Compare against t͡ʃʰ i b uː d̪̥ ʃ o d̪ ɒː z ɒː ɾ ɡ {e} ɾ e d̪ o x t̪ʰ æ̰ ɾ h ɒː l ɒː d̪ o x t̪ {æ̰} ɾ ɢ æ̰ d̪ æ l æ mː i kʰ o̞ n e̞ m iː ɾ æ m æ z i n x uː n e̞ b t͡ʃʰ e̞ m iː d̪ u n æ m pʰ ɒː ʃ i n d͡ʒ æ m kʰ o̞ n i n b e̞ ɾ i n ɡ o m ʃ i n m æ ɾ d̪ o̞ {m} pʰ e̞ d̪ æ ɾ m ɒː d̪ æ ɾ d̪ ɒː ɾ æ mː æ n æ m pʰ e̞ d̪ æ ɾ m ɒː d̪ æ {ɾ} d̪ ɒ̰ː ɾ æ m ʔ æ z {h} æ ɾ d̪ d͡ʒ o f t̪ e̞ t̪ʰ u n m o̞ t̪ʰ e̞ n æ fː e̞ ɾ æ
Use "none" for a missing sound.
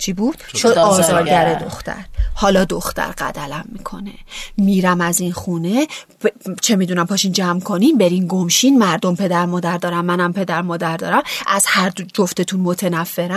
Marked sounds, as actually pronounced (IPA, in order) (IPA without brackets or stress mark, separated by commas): æ, æ̰, m, ɾ, h